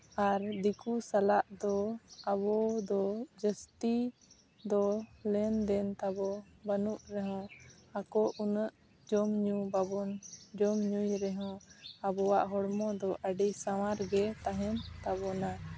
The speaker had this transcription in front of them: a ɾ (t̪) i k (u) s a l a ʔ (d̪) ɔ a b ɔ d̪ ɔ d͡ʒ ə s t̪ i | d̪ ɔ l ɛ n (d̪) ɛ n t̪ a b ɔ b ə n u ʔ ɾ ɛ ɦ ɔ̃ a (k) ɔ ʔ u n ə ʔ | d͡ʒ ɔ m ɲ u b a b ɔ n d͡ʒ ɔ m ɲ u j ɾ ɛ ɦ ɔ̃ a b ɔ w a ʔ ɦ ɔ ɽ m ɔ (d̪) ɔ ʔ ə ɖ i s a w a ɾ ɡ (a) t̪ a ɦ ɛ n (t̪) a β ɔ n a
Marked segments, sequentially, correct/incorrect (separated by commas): incorrect, correct, correct, correct, correct, correct, incorrect, correct